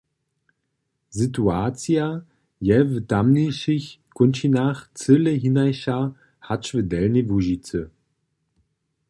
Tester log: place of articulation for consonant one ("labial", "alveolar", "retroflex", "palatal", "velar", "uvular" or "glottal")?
alveolar